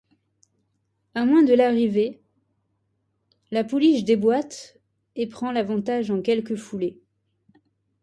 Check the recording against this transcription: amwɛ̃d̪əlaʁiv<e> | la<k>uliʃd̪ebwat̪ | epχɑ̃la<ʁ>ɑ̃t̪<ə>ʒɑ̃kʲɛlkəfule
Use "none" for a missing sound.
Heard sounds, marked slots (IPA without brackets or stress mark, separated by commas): e, p, v, a